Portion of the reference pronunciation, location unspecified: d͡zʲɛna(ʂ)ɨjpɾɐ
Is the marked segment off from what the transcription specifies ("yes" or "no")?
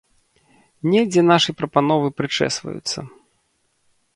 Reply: no